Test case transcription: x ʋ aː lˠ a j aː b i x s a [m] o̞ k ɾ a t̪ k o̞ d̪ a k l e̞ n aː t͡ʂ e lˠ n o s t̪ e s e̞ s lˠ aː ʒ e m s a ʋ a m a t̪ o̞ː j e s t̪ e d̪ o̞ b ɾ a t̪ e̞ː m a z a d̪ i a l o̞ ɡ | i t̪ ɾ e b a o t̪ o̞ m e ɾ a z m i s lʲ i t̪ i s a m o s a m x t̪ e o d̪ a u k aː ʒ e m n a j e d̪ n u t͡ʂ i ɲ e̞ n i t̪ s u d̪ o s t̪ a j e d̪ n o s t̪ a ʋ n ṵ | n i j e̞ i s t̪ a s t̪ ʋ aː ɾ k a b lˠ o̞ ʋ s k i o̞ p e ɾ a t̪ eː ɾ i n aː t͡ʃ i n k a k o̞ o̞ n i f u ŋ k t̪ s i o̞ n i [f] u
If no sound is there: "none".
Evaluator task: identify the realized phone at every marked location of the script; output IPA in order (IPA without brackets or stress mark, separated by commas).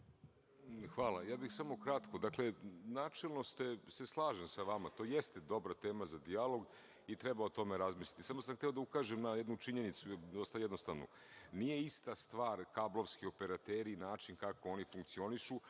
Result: m, ʃ